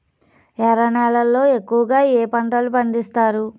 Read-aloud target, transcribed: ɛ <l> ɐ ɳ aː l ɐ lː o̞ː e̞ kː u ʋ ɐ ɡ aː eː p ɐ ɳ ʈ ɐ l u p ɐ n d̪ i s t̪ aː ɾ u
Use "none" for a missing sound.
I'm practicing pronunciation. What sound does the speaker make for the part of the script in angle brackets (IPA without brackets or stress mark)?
ɾ